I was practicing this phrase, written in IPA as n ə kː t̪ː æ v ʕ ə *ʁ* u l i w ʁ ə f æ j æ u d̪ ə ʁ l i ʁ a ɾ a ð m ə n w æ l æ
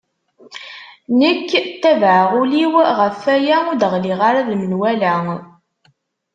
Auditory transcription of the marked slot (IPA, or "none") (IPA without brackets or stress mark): ʁ